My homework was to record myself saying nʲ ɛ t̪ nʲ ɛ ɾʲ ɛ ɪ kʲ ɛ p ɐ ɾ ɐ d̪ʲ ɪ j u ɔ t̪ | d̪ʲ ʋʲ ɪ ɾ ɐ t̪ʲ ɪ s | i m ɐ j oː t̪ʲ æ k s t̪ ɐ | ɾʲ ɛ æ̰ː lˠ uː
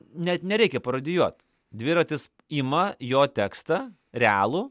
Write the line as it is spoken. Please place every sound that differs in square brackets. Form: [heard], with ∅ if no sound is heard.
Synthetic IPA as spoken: nʲ ɛ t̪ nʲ ɛ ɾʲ ɛ ɪ kʲ ɛ p ɐ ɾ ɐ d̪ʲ ɪ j u ɔ t̪ | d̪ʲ ʋʲ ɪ ɾ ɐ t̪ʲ ɪ s | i m ɐ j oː t̪ʲ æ k s t̪ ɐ | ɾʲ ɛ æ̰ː lˠ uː